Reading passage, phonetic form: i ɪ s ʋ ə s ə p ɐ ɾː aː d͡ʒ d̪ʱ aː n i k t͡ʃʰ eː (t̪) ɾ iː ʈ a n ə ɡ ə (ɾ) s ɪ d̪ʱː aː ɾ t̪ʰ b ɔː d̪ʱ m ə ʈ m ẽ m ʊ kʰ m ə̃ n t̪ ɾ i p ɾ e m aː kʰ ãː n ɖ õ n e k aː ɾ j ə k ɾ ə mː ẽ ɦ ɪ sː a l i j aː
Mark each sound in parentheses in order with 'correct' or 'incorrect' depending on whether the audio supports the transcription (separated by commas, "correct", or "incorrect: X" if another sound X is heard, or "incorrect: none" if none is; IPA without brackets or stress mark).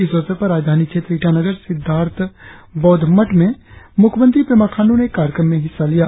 correct, correct